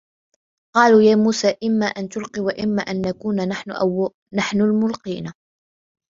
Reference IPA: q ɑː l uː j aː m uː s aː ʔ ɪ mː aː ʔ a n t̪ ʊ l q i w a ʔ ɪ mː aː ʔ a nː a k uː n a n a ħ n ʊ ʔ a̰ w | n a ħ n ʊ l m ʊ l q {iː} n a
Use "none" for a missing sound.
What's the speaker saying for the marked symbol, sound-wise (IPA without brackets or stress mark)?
iː